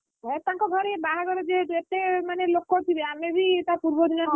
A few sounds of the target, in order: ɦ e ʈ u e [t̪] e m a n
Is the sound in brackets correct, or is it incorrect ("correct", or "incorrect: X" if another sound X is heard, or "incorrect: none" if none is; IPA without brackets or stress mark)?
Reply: correct